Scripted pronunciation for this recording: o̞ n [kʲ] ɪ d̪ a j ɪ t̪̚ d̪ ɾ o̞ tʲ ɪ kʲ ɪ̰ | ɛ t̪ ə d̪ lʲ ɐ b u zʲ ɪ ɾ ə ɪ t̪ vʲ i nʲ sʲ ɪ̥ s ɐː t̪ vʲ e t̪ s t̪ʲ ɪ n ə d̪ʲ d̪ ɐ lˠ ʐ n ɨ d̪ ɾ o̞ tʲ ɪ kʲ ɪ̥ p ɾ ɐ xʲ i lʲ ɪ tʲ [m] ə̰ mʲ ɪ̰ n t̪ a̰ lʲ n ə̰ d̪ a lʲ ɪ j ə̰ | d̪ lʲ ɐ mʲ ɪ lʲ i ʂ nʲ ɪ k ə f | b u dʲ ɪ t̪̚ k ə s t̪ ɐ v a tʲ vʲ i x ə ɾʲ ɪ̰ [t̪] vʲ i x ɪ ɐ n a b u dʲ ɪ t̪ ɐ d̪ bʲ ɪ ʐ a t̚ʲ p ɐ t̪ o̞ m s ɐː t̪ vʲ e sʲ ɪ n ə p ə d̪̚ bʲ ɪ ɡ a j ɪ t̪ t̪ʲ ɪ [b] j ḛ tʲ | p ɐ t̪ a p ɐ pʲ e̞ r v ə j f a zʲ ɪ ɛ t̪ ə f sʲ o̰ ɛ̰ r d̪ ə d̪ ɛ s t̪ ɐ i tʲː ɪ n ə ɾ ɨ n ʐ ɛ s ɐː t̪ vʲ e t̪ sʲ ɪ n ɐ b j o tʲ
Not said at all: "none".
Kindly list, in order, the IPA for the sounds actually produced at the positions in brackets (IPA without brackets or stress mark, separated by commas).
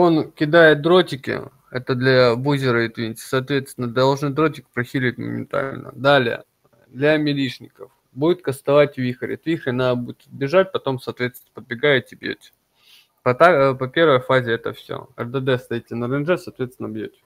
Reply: kʲ, m, t̪, b